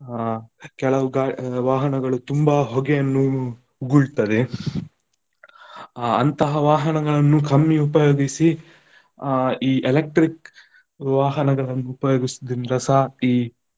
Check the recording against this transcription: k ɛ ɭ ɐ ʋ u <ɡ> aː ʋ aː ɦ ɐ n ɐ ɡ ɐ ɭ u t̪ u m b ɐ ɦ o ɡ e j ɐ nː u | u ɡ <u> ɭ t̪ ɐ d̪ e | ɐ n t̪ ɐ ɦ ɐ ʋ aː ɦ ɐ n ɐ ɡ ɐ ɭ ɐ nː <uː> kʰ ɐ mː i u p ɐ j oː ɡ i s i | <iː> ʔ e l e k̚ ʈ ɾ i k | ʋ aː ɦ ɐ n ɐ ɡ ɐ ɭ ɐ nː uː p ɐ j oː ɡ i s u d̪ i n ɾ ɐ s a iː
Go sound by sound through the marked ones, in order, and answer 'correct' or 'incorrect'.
correct, correct, incorrect: u, correct

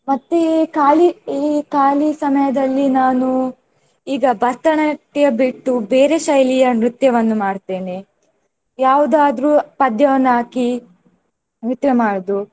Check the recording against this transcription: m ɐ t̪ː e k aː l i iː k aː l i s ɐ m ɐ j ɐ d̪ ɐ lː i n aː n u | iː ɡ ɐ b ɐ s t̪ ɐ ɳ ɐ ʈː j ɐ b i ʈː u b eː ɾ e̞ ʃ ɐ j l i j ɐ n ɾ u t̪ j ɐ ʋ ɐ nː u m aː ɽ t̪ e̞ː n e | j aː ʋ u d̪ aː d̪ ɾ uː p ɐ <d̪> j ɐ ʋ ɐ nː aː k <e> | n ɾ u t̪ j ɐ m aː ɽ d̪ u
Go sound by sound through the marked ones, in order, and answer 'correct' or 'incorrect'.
correct, incorrect: i

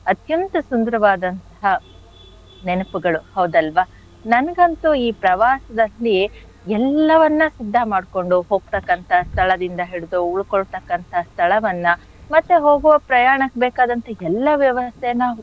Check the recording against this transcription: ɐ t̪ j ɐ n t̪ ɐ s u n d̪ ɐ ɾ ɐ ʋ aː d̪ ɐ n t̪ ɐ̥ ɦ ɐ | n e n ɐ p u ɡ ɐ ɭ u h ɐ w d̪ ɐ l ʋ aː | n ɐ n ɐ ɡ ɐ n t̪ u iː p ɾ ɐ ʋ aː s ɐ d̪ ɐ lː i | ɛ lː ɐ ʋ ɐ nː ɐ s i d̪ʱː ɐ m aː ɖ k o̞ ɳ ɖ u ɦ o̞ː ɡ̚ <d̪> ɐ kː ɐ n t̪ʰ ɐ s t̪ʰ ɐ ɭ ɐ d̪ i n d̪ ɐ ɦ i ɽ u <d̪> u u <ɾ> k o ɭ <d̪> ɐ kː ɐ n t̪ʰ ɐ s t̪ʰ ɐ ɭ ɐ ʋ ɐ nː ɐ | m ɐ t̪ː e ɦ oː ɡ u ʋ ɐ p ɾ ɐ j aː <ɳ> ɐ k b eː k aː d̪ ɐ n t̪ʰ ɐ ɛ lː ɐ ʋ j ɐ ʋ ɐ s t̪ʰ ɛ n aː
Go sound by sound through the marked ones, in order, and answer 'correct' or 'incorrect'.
incorrect: t̪, correct, incorrect: ɭ, incorrect: t̪, correct

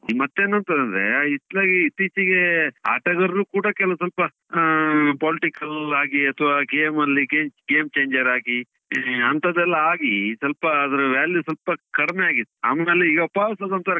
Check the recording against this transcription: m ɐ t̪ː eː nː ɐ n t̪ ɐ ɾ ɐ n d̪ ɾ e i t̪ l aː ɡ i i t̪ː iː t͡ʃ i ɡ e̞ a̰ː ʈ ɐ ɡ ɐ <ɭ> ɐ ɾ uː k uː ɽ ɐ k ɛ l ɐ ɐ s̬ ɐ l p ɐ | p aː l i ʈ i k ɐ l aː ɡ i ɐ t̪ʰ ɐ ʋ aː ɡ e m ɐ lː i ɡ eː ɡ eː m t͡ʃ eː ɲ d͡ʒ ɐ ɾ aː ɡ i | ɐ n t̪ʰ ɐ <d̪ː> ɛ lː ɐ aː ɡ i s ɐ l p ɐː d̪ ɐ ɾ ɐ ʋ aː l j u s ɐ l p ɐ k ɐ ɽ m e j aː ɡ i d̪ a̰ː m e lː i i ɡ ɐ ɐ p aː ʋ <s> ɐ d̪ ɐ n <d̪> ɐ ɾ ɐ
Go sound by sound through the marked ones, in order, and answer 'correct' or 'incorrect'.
incorrect: ɾ, incorrect: d̪, correct, incorrect: t̪

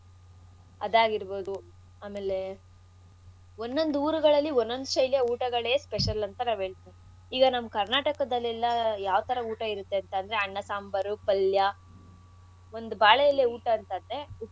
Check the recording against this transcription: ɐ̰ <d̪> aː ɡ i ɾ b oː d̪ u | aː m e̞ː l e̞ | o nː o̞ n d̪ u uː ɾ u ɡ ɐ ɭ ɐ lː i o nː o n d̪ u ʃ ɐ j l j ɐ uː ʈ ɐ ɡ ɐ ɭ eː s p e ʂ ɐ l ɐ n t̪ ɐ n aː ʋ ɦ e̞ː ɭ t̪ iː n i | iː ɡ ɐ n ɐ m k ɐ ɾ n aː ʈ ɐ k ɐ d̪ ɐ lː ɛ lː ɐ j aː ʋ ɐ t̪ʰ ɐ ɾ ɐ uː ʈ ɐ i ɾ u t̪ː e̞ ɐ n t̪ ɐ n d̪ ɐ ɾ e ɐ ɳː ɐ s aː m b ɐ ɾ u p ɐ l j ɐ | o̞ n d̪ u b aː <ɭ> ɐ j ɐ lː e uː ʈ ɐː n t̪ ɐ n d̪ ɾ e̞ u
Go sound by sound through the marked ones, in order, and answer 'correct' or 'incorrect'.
correct, correct

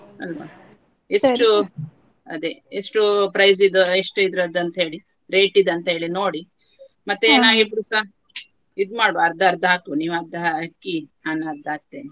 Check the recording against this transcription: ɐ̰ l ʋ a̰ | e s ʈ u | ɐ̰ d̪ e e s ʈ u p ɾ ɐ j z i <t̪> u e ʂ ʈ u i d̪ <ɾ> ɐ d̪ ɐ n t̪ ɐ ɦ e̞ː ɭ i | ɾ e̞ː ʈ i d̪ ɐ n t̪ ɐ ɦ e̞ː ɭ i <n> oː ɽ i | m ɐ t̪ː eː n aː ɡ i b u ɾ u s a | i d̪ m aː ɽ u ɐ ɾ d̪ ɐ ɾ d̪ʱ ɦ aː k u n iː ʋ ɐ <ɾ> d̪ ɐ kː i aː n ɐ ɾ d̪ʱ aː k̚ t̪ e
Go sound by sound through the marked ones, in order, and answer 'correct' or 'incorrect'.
incorrect: d̪, correct, correct, correct

